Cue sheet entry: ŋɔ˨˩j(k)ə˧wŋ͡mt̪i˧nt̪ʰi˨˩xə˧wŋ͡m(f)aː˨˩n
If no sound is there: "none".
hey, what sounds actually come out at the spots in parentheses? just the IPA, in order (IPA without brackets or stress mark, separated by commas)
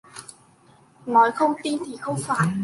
x, f